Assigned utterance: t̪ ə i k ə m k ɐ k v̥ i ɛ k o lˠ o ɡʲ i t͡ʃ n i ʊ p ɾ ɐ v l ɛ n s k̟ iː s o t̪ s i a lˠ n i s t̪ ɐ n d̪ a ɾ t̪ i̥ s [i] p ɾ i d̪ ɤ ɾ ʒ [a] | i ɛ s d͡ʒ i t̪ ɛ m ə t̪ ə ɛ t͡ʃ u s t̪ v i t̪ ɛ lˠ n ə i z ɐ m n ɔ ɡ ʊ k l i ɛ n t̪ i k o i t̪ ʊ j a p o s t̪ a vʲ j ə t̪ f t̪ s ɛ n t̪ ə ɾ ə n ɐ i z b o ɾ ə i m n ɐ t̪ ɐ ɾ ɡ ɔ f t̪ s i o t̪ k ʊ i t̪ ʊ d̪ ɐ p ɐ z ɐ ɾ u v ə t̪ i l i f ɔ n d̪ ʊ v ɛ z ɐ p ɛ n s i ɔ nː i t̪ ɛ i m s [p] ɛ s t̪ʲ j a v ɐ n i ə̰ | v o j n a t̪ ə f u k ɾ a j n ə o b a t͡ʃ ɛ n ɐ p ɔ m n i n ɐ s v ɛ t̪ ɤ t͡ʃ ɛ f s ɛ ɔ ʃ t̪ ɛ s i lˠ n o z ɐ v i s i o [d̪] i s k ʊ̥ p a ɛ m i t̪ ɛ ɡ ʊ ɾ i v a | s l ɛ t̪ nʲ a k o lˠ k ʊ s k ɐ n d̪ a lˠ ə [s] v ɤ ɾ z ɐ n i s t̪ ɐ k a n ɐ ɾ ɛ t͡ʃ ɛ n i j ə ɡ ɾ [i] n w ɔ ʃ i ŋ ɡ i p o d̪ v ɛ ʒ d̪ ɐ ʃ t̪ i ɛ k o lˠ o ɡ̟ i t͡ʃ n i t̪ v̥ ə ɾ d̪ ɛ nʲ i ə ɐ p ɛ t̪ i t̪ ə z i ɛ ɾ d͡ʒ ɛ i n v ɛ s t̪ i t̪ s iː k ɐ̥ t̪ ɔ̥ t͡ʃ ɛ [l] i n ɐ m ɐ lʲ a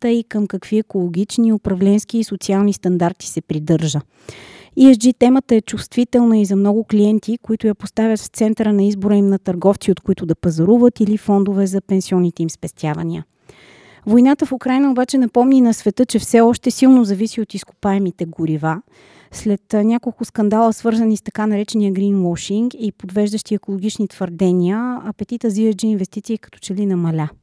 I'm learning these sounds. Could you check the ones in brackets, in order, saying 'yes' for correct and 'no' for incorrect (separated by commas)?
no, no, yes, no, yes, yes, yes